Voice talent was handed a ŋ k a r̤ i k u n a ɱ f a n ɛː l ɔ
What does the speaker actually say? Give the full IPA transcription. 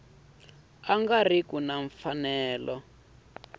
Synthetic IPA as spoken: a ŋ ɡ a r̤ i k u n a ɱ f a n ɛː l ɔ